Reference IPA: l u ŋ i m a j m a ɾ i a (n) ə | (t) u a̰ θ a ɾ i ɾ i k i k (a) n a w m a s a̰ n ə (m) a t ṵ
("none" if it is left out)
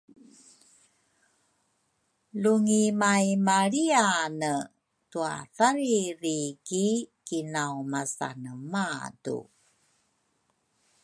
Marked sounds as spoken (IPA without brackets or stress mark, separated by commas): n, t, i, m